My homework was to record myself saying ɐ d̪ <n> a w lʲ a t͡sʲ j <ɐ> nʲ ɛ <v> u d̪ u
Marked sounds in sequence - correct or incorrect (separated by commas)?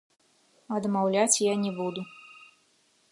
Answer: incorrect, incorrect, incorrect